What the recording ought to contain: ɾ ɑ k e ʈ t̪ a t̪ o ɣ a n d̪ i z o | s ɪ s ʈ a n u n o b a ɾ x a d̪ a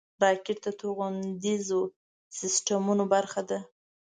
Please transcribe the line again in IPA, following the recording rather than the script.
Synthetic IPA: ɾ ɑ k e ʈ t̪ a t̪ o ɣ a n d̪ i z o | s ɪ s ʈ a m u n o b a ɾ x a d̪ a